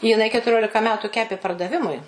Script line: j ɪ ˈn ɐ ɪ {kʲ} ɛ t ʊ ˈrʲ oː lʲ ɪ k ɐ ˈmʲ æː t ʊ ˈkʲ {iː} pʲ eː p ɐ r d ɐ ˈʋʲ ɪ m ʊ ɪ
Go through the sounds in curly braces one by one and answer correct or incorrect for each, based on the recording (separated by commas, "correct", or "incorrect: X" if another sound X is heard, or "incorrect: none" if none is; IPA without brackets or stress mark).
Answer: correct, incorrect: æː